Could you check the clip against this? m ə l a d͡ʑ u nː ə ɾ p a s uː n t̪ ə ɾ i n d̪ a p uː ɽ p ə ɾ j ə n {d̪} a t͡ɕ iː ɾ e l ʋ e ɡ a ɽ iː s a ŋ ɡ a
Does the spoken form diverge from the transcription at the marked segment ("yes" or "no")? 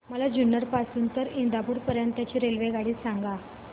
yes